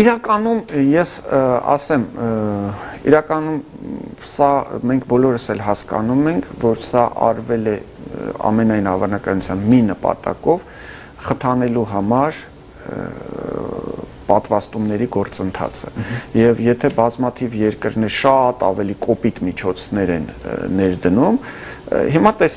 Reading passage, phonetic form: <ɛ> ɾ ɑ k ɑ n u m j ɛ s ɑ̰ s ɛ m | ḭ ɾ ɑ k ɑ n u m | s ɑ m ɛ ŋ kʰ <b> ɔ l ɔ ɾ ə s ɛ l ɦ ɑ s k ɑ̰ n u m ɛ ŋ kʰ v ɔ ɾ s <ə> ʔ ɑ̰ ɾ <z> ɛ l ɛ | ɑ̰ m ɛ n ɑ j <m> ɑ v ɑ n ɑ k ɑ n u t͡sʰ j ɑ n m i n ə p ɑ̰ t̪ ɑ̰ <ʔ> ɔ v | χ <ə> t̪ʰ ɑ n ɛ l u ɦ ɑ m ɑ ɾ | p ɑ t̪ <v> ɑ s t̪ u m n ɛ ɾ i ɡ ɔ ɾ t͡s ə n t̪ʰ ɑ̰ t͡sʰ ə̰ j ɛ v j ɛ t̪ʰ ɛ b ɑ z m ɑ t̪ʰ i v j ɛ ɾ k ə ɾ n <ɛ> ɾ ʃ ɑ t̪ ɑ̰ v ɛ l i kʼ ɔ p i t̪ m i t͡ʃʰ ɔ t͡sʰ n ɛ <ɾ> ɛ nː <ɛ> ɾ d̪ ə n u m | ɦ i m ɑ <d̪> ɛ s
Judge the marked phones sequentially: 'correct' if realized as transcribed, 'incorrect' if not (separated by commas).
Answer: incorrect, correct, incorrect, incorrect, incorrect, incorrect, correct, correct, correct, correct, correct, incorrect